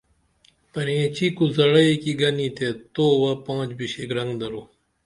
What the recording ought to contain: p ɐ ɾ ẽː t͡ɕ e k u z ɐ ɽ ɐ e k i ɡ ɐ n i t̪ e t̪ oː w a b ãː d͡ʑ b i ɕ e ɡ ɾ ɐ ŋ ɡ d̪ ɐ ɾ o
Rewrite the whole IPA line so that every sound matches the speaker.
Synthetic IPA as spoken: p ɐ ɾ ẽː t͡ɕ i k u z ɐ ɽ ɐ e k i ɡ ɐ n i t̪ e t̪ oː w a p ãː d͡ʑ b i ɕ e ɡ ɾ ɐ ŋ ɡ d̪ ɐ ɾ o